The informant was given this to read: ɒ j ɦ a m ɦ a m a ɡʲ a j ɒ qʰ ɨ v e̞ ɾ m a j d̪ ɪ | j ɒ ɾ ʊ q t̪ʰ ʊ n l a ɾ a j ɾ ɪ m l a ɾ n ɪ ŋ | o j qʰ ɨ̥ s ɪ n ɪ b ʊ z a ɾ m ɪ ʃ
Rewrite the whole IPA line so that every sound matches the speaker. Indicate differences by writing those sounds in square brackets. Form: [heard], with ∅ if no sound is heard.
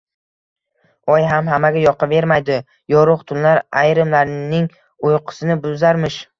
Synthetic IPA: ɒ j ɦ a m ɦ a m a ɡʲ a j ɒ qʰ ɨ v e̞ ɾ m a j d̪ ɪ | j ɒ ɾ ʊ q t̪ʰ ʊ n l a ɾ a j ɾ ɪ m l a ɾ n ɪ ŋ | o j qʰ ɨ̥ s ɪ n ɪ b ʊ z a ɾ m ɪ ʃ